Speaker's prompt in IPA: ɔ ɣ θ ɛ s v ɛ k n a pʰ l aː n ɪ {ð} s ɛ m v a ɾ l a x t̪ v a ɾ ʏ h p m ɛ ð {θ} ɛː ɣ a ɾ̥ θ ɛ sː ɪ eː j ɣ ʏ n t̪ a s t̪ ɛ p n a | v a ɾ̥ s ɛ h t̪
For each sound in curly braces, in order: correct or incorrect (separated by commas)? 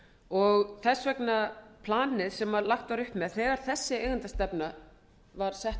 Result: correct, correct